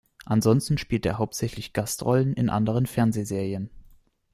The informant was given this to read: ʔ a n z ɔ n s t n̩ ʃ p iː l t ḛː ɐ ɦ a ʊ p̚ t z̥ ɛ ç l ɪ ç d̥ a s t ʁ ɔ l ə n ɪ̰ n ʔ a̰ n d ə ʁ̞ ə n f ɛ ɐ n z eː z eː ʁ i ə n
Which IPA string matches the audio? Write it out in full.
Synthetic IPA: ʔ a n z ɔ n s t n̩ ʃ p iː l t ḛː ɐ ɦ a ʊ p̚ t z̥ ɛ ç l ɪ ç ɡ̥ a s t ʁ ɔ l ə n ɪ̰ n ʔ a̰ n d ə ʁ̞ ə n f ɛ ɐ n z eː z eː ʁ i ə n